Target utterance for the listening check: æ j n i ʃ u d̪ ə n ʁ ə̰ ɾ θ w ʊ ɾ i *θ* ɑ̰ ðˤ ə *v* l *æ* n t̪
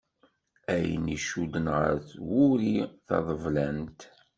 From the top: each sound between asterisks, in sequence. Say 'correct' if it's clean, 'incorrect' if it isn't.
correct, correct, correct

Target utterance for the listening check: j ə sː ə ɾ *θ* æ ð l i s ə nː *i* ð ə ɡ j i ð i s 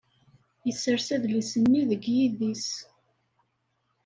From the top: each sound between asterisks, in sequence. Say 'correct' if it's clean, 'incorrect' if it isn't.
incorrect: s, correct

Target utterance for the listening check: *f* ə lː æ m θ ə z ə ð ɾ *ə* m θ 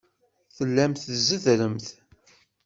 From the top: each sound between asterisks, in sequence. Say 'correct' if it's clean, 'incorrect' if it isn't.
incorrect: θ, correct

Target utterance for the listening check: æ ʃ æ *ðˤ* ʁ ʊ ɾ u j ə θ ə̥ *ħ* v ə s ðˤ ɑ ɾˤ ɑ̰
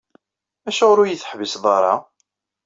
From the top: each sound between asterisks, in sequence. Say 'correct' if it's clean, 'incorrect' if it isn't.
incorrect: none, correct

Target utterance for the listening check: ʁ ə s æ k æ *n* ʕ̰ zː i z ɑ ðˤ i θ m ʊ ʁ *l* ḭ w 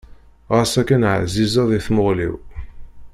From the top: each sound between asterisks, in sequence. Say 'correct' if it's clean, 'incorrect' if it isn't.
correct, correct

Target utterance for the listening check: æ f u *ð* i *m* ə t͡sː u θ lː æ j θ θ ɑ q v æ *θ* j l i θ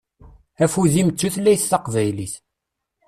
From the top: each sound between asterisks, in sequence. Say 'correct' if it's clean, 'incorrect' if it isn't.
correct, correct, incorrect: none

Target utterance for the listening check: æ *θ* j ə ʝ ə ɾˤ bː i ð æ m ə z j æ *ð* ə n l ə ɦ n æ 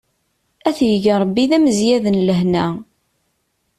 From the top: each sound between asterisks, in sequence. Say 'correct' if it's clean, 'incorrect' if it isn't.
correct, correct

